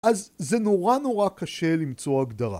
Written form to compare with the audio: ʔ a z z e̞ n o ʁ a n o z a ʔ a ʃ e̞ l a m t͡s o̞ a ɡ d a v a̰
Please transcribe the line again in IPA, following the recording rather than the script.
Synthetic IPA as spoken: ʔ a z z e̞ n o ʁ a n o ʁ a k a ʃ e̞ l i m t͡s o̞ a ɡ d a ʁ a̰